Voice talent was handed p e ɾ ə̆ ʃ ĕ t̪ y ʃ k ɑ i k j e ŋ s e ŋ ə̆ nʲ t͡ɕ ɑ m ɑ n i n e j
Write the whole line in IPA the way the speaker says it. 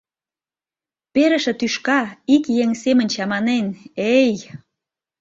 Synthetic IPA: p e ɾ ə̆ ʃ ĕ t̪ y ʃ k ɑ i k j e ŋ s e m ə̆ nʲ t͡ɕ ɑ m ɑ n e n e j